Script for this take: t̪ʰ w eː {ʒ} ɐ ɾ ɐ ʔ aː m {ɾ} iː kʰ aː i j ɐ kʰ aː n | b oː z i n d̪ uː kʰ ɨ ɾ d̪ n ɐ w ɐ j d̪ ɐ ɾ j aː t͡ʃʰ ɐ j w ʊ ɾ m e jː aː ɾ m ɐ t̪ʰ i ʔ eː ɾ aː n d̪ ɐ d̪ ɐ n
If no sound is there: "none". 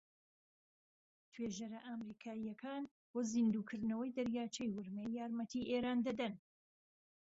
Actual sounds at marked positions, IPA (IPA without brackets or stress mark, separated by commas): ʒ, ɾ